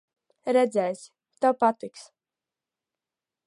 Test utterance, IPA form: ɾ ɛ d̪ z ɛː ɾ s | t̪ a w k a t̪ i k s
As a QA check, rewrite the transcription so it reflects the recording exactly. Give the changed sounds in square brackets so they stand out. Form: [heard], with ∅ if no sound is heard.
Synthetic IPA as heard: ɾ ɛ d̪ z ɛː [∅] s | t̪ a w [p] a t̪ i k s